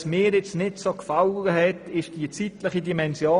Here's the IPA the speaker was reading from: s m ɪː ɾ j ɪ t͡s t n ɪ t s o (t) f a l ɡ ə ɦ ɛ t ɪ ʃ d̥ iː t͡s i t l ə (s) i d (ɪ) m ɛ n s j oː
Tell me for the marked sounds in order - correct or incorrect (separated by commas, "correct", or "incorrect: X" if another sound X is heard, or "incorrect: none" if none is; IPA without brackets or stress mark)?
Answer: incorrect: k, incorrect: χ, incorrect: i